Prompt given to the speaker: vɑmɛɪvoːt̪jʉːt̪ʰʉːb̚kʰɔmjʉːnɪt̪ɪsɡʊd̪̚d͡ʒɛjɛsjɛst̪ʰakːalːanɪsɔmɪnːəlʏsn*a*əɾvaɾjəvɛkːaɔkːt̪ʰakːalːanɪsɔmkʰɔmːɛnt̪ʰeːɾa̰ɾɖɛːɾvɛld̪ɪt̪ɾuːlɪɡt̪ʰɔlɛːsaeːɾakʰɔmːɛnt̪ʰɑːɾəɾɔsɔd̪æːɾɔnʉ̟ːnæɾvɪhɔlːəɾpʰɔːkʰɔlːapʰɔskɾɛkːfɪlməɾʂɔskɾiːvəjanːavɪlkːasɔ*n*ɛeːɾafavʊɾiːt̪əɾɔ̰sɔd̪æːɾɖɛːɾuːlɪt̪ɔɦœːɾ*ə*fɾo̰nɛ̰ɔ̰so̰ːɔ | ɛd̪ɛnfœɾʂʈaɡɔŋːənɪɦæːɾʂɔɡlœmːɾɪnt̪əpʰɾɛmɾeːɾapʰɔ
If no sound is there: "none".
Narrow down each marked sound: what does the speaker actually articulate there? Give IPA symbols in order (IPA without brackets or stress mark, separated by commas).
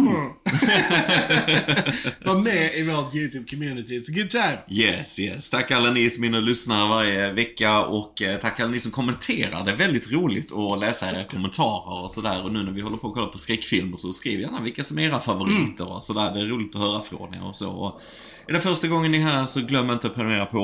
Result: a, m, a